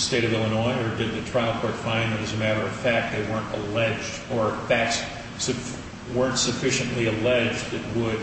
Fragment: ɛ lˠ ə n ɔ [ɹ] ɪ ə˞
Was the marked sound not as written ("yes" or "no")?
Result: yes